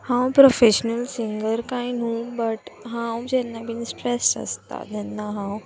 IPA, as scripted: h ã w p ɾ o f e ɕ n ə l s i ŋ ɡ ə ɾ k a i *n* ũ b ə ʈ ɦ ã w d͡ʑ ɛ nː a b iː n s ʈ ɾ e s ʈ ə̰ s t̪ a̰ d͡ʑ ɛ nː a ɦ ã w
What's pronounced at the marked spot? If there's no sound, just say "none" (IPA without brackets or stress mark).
n